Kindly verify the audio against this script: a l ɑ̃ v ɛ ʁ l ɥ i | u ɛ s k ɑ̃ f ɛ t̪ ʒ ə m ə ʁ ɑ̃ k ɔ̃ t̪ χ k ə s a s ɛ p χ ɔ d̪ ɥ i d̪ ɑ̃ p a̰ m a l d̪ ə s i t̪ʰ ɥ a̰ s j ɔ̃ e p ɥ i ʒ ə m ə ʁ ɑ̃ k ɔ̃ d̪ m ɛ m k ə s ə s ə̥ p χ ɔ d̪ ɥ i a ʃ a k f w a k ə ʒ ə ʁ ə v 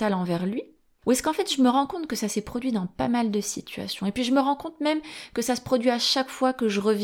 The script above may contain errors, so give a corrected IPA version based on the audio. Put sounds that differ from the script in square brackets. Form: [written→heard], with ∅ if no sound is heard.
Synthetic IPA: a l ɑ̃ v ɛ ʁ l ɥ i | u ɛ s k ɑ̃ f ɛ t̪ ʒ ə m ə ʁ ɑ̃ k ɔ̃ t̪ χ k ə s a s ɛ p χ ɔ d̪ ɥ i d̪ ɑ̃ p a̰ m a l d̪ ə s i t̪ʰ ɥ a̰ s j ɔ̃ e p ɥ i ʒ ə m ə ʁ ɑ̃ k ɔ̃ [d̪→t̪] m ɛ m k ə s [ə→a] s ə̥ p χ ɔ d̪ ɥ i a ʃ a k f w a k ə ʒ ə ʁ ə v